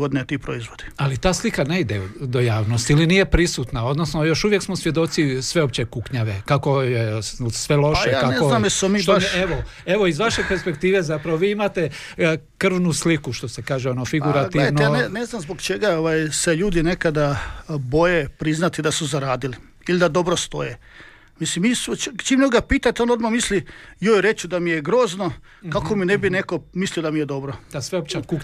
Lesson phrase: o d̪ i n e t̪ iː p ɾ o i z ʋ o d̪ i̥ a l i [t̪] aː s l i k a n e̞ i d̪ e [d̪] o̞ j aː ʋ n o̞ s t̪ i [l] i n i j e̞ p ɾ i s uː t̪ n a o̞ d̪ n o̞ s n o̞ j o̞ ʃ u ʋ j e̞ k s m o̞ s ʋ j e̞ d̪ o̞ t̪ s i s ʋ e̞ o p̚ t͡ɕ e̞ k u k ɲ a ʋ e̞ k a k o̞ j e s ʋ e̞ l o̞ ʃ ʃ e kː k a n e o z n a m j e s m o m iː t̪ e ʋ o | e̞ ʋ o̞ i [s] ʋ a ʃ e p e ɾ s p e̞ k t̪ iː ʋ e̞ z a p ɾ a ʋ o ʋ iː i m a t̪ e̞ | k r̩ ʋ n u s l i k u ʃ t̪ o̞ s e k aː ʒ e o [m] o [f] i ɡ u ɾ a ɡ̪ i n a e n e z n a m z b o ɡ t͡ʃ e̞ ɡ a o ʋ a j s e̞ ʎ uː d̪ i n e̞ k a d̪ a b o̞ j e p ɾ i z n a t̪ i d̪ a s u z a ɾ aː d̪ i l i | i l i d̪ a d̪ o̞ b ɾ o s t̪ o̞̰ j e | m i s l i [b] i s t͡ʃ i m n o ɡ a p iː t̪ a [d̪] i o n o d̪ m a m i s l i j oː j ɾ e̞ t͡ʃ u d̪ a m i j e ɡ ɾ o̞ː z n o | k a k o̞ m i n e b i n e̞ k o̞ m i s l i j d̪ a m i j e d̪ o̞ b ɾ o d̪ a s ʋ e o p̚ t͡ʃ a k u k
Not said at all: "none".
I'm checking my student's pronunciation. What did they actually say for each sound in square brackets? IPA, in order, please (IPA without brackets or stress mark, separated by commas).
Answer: t̪, d̪, l, z, n, f, m, t̪